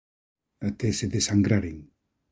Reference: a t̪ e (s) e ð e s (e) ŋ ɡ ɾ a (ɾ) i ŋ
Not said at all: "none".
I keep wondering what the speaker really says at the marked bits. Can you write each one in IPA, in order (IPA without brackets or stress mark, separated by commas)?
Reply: s, a, ɾ